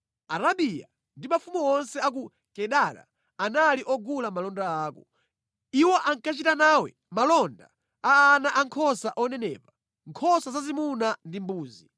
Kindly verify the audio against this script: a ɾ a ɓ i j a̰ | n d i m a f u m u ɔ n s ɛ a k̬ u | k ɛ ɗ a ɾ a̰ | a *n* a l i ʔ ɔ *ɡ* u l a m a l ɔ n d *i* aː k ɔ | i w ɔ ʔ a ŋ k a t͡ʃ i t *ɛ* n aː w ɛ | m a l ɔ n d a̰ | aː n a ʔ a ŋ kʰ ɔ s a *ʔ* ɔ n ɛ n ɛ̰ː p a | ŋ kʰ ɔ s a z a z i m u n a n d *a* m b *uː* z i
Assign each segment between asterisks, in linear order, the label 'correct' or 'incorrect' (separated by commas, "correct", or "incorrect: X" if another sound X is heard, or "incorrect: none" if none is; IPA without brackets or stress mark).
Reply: correct, correct, incorrect: a, incorrect: a, correct, incorrect: i, correct